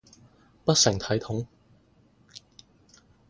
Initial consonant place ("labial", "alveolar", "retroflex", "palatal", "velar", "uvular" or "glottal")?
labial